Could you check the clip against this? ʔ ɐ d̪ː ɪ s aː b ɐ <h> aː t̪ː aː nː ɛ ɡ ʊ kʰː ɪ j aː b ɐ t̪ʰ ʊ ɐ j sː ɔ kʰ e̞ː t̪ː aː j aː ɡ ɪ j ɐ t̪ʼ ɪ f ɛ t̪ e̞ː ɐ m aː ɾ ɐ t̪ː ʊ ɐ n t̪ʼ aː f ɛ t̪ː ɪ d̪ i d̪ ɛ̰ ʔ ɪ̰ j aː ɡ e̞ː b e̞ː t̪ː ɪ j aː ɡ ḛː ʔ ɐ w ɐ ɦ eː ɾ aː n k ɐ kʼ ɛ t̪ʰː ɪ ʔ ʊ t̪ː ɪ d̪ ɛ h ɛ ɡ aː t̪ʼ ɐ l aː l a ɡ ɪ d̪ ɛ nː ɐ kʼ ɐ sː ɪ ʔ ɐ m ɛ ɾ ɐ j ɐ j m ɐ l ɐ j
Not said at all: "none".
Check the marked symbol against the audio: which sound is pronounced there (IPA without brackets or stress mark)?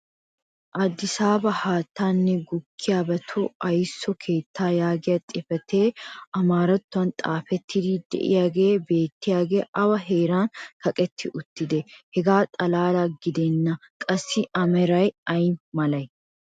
h